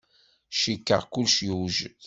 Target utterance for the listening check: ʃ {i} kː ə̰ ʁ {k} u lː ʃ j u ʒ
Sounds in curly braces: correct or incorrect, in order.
correct, correct

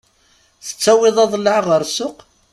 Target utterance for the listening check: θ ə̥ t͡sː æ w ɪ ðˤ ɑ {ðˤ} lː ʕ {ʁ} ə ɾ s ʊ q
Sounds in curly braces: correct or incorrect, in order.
correct, correct

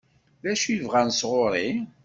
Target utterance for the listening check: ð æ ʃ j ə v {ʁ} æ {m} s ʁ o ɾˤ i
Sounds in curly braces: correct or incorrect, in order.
correct, incorrect: n

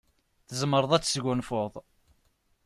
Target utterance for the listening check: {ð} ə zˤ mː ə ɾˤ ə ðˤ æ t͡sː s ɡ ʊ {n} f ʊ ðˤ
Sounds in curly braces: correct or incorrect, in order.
incorrect: θ, correct

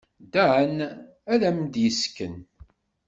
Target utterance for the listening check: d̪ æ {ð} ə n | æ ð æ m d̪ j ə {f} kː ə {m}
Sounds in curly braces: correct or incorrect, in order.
incorrect: ʕ, incorrect: s, incorrect: n

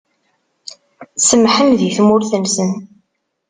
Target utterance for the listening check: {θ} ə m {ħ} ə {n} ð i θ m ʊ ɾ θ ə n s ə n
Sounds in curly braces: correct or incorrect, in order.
incorrect: s, correct, incorrect: m

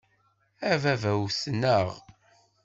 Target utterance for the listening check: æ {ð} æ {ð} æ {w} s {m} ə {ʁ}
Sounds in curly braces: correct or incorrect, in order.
incorrect: v, incorrect: v, correct, incorrect: n, correct

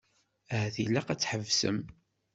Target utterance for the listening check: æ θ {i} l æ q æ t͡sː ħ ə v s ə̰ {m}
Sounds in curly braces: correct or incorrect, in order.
correct, correct

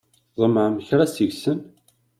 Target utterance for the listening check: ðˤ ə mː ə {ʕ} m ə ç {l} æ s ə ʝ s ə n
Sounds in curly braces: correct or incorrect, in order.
correct, incorrect: ɾ

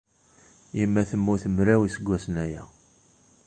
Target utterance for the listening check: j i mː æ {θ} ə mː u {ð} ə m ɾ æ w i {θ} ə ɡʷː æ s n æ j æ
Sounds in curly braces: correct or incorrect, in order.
correct, incorrect: θ, incorrect: s

